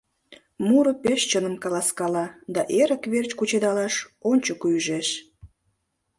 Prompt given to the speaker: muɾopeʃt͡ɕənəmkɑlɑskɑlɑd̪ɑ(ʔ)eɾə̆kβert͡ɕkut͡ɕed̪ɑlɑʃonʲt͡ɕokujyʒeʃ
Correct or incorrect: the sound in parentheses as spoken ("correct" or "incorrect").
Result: correct